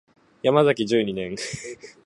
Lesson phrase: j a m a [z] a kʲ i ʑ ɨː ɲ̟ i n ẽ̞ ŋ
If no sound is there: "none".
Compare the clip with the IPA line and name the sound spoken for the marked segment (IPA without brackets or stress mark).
z